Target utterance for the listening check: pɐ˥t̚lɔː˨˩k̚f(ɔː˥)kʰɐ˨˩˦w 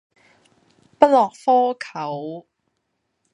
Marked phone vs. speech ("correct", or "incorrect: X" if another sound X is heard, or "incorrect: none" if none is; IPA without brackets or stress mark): correct